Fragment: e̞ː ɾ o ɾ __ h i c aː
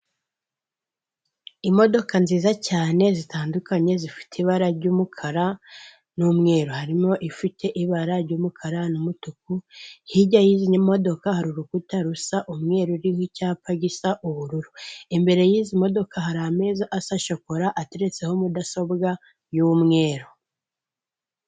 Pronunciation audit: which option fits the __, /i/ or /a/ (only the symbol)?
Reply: i